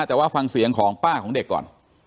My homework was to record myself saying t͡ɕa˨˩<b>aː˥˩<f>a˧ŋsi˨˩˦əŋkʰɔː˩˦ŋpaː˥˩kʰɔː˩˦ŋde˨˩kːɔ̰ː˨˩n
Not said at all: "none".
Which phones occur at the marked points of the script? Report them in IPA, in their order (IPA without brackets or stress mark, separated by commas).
w, f